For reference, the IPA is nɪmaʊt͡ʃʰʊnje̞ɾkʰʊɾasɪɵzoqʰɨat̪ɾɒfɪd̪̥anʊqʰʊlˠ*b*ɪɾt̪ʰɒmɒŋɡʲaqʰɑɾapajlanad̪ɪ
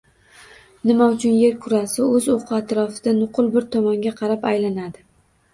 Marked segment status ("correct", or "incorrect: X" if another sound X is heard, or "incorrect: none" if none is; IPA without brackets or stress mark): correct